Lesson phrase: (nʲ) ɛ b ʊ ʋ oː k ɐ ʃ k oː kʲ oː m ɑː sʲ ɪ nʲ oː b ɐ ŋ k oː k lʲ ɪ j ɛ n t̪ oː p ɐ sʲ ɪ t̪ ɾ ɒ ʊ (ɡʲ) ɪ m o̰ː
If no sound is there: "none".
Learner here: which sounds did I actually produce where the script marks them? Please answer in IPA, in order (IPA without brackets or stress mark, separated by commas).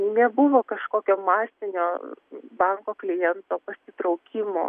nʲ, kʲ